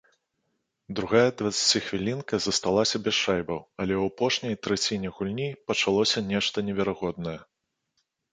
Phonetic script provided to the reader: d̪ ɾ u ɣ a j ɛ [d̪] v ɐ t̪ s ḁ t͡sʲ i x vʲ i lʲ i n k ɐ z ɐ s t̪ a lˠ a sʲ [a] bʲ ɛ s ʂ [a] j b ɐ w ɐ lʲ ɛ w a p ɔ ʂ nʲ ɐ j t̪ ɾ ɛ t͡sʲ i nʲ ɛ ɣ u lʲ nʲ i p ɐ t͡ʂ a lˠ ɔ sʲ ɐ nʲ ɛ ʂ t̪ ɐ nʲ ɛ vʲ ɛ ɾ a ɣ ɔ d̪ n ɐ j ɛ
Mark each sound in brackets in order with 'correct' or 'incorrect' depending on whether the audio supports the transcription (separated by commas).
correct, incorrect, correct